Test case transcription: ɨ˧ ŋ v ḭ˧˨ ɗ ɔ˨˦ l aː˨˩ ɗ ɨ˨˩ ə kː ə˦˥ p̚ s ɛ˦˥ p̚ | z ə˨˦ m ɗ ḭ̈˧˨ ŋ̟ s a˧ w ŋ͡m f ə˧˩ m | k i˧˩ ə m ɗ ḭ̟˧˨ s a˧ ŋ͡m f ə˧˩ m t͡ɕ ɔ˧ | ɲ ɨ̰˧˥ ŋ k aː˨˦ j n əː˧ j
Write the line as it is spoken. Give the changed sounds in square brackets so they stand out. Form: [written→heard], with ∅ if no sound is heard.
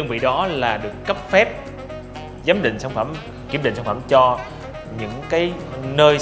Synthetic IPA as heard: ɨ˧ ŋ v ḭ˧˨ ɗ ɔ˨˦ l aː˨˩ ɗ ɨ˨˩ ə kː ə˦˥ p̚ [s→f] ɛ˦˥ p̚ | z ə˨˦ m ɗ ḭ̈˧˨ ŋ̟ s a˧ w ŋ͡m f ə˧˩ m | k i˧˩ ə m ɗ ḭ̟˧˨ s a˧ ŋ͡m f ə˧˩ m t͡ɕ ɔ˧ | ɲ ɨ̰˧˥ ŋ k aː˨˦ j n əː˧ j